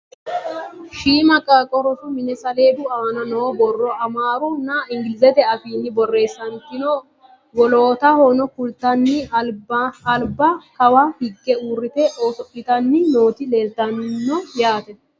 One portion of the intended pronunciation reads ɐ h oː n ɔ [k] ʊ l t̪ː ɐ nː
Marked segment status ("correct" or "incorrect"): correct